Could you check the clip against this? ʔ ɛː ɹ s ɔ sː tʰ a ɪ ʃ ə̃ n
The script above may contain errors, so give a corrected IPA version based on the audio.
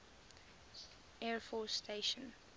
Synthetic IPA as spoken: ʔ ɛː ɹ f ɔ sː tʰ e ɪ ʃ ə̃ n